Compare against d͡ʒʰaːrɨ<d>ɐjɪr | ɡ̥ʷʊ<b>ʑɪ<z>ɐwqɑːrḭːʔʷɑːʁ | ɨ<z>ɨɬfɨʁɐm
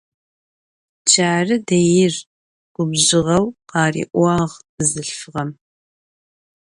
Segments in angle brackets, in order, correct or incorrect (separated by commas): correct, correct, incorrect, correct